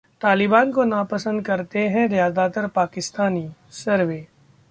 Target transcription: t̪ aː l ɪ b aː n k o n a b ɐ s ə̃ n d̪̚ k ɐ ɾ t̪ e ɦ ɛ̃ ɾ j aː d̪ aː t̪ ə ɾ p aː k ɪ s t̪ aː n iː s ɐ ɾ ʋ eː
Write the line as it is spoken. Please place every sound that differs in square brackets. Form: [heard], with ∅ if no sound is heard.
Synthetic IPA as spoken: t̪ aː l ɪ b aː n k o n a [p] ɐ s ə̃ n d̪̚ k ɐ ɾ t̪ e ɦ ɛ̃ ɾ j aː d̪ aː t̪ ə ɾ p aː k ɪ s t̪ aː n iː s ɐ ɾ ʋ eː